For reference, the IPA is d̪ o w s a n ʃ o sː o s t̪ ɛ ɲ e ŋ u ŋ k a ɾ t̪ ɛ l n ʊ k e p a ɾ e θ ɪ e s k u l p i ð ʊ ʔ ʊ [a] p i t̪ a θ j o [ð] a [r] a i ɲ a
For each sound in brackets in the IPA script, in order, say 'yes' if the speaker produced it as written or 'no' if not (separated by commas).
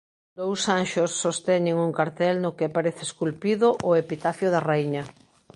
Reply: no, yes, yes